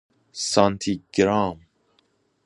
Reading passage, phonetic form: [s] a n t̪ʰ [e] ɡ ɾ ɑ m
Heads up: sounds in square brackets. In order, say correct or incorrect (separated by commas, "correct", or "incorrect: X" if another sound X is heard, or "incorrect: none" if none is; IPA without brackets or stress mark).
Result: correct, incorrect: i